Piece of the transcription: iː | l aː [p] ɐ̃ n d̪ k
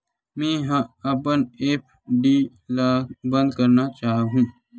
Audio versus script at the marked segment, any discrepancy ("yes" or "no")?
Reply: yes